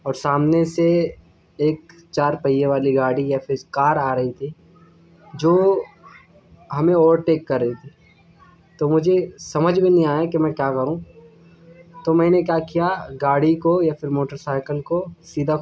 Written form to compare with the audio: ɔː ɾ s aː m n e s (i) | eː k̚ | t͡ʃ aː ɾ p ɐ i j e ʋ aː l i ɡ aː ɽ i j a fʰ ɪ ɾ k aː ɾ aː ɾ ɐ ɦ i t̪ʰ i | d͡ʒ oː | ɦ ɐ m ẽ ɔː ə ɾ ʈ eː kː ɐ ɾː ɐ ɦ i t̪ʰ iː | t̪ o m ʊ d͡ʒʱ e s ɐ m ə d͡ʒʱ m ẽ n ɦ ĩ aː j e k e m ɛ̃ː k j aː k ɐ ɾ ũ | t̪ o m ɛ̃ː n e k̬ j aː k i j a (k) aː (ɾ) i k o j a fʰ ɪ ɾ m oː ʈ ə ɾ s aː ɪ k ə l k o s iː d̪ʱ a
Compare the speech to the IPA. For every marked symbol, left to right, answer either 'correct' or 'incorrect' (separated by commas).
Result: incorrect, incorrect, incorrect